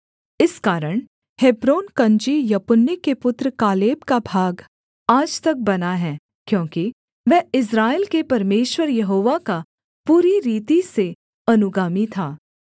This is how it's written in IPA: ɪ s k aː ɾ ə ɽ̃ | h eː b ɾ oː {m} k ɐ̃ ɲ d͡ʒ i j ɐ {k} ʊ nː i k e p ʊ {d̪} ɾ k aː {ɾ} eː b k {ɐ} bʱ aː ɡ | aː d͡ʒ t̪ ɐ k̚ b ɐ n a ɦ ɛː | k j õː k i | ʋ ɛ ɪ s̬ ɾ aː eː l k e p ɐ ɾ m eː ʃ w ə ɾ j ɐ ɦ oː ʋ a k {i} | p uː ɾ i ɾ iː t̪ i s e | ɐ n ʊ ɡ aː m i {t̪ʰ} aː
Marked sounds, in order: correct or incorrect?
incorrect: n, incorrect: p, incorrect: t̪, incorrect: l, incorrect: a, incorrect: a, correct

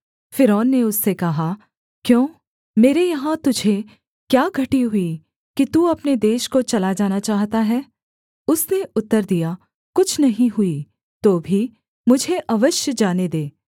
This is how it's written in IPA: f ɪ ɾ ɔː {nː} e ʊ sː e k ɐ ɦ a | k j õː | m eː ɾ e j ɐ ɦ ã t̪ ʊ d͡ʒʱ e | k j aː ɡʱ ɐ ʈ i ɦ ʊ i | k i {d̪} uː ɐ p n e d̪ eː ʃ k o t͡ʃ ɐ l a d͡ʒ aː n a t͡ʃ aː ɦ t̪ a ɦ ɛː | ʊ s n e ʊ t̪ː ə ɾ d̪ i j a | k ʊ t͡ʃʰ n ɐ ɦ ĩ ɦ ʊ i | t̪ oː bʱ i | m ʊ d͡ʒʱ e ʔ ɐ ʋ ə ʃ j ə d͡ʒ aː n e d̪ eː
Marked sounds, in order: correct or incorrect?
correct, incorrect: t̪

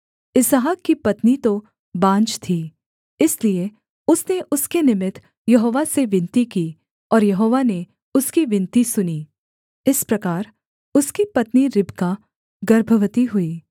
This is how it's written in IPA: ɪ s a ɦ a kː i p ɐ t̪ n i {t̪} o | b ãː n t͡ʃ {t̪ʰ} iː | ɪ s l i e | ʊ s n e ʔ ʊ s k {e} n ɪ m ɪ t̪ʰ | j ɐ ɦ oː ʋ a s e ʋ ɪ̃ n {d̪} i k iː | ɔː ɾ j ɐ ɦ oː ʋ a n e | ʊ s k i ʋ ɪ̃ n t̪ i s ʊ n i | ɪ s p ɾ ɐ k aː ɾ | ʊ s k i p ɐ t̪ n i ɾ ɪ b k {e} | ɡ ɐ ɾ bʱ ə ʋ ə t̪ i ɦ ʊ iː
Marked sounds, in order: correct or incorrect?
correct, correct, correct, incorrect: t̪, incorrect: a

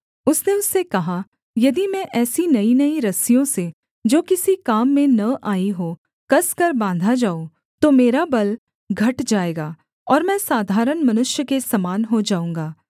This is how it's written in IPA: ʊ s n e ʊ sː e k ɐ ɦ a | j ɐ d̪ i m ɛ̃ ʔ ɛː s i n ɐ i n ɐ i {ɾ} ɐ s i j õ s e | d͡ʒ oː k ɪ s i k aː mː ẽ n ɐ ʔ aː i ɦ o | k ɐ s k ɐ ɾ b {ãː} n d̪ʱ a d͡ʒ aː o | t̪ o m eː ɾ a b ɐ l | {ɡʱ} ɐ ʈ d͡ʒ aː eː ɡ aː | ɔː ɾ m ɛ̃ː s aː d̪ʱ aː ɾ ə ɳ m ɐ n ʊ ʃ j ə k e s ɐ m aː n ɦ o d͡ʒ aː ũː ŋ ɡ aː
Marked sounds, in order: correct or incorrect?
correct, correct, correct

